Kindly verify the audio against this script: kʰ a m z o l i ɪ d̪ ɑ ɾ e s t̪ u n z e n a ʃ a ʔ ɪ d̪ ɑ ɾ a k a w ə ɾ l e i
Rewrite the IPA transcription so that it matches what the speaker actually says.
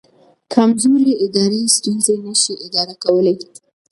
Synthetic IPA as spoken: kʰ a m z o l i ɪ d̪ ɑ ɾ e s t̪ u n z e n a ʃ i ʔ ɪ d̪ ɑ ɾ a k a w ə l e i